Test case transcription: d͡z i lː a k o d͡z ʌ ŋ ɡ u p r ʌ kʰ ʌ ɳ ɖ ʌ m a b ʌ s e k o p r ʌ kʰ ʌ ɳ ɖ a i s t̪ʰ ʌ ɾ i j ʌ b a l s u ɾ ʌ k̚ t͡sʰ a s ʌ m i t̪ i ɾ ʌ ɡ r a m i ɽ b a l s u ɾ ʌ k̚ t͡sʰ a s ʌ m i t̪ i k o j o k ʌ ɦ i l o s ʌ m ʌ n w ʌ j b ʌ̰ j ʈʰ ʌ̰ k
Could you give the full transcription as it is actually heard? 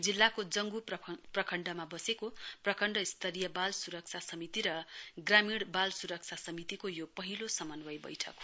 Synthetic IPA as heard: d͡z i lː a k o d͡z ʌ ŋ ɡ u p r ʌ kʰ ʌ ɳ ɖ ʌ m a b ʌ s e k o p r ʌ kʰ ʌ ɳ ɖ ʌ i s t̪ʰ ʌ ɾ i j ʌ b a l s u ɾ ʌ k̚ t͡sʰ a s ʌ m i t̪ i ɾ ʌ ɡ r a m i ɽ b a l s u ɾ ʌ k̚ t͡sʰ a s ʌ m i t̪ i k o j o p ʌ ɦ i l o s ʌ m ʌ n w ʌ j b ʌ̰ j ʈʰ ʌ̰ k